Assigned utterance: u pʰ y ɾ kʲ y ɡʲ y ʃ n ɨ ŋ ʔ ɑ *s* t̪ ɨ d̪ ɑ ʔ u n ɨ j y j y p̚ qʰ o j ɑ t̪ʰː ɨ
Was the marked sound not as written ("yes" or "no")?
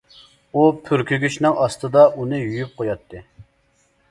no